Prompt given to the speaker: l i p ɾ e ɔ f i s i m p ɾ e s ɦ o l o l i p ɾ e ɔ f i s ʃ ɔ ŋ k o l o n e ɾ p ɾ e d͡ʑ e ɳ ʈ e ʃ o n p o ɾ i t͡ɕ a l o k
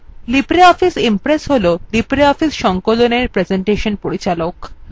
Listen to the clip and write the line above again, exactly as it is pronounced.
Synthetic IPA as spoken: l i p ɾ e ɔ f i s i m p ɾ e s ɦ o l o l i p ɾ e ɔ f i s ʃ ɔ ŋ k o l o n e ɾ p ɾ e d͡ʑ e ɳ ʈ e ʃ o n p o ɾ i t͡ɕ a l o k